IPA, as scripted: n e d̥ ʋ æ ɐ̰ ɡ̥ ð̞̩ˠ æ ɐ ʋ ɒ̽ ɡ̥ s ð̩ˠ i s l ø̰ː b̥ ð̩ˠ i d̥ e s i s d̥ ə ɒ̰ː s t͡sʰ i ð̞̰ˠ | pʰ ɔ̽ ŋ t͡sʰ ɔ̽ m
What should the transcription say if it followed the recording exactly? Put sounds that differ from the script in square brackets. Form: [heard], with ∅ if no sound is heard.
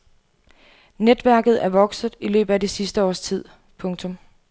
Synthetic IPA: n e d̥ ʋ æ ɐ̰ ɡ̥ ð̞̩ˠ æ ɐ ʋ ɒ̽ ɡ̥ s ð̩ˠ i [∅] l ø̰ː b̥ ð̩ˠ [æ] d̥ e s i s d̥ ə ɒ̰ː s t͡sʰ i ð̞̰ˠ | pʰ ɔ̽ ŋ t͡sʰ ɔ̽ m